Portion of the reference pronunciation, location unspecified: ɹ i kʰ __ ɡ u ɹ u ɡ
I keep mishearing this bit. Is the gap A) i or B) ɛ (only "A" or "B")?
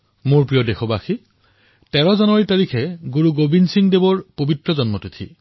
B